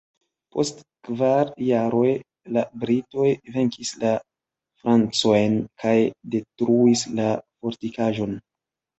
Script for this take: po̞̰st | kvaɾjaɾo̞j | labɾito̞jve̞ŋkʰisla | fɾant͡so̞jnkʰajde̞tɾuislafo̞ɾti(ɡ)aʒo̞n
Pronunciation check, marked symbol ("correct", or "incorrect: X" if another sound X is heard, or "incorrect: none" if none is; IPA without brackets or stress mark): incorrect: k